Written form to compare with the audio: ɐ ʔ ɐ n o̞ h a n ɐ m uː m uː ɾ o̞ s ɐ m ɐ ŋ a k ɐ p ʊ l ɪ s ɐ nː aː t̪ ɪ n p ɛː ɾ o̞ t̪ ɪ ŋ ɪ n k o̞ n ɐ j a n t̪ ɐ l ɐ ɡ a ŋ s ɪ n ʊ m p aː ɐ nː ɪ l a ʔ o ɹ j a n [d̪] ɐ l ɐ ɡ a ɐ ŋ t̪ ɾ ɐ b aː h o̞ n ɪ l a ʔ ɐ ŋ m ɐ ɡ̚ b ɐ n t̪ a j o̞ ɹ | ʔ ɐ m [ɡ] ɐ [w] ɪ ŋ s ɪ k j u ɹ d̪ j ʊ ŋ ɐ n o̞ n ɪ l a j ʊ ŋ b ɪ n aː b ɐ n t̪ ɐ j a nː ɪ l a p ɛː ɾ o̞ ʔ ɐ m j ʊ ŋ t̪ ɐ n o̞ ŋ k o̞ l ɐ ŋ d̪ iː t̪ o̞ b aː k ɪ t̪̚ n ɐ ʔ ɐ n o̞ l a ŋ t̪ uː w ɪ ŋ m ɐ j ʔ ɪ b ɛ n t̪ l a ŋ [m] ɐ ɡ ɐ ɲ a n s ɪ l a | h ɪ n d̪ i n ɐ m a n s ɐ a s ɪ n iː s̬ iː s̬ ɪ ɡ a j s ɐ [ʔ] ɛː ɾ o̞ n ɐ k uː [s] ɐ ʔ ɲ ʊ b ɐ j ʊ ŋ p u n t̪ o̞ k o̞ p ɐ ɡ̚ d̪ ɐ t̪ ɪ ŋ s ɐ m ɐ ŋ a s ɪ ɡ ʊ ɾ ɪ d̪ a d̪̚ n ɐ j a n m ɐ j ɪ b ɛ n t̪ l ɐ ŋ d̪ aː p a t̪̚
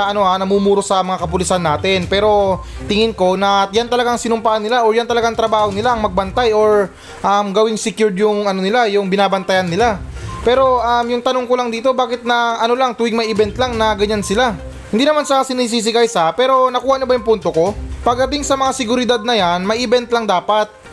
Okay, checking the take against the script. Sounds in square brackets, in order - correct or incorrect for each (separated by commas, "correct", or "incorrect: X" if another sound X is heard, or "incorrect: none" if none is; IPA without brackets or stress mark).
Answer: incorrect: t̪, correct, correct, incorrect: n, incorrect: p, incorrect: h